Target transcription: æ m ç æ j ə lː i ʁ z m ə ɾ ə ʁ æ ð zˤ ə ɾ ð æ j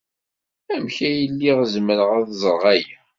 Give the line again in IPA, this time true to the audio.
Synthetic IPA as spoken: æ m ç æ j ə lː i ʁ z m ə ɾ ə ʁ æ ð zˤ ə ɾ ʁ æ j